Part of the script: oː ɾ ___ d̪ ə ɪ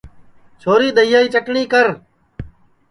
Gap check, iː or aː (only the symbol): iː